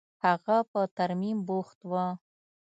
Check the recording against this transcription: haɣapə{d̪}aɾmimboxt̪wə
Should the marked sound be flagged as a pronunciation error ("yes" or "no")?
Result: yes